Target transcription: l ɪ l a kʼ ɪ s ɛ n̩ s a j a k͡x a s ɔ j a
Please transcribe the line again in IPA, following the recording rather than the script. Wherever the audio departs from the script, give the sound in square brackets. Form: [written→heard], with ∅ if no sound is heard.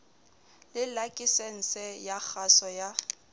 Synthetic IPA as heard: l ɪ l a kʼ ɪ s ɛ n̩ s [a→ɛ] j a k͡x a s ɔ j a